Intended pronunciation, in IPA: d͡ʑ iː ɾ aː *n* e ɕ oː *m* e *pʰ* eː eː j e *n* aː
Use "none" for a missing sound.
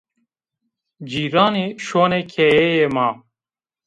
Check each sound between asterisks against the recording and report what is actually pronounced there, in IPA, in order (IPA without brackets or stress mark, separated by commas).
n, n, kʰ, m